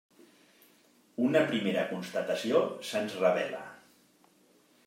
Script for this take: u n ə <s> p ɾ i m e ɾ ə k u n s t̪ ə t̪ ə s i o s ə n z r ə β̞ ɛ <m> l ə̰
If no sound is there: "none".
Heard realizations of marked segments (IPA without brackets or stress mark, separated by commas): none, none